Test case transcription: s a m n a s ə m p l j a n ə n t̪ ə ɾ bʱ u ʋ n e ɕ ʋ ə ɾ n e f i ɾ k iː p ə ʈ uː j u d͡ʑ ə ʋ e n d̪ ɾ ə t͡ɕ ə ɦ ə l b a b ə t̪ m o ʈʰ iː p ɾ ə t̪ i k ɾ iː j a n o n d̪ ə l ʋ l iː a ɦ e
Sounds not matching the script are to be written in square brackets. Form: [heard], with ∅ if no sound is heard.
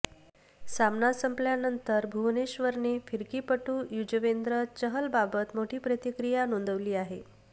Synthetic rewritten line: s a m n a s ə m p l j a n ə n t̪ ə ɾ bʱ u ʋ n e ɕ ʋ ə ɾ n e f i ɾ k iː p ə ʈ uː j u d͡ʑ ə ʋ e n d̪ ɾ ə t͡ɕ ə ɦ ə l b a b ə t̪ m o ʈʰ iː p ɾ ə t̪ i k ɾ [i] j a n o n d̪ ə [∅] ʋ l iː a ɦ e